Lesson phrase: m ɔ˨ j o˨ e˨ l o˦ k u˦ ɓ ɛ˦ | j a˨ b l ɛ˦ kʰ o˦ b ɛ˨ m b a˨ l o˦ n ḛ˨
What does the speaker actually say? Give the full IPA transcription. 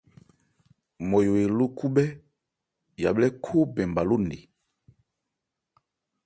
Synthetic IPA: m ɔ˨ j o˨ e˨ l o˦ k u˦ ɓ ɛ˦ | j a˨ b l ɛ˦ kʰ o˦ b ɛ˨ m b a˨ l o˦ n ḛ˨